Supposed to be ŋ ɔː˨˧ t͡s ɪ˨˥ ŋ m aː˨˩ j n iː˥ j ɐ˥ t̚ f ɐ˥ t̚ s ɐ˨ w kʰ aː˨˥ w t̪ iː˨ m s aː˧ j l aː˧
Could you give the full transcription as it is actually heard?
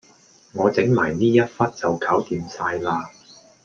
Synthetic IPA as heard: ŋ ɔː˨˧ t͡s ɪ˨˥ ŋ m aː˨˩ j n iː˥ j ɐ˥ t̚ f ɐ˥ t̚ t͡s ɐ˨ w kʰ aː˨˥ w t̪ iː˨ m s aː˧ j l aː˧